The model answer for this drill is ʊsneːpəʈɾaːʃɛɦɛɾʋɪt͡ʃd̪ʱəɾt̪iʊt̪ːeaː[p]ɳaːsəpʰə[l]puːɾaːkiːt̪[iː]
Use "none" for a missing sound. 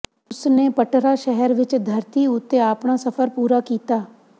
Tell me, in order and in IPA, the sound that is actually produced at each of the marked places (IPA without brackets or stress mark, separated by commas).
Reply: p, ɾ, aː